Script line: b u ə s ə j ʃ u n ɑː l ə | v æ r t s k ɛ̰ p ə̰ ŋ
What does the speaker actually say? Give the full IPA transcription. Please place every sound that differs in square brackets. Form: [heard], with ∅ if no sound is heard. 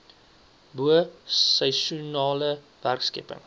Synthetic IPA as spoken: b u ə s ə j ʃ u n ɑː l ə | v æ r [k] s k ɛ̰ p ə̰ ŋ